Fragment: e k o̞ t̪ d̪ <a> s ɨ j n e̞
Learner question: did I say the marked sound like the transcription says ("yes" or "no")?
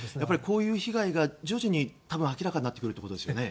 no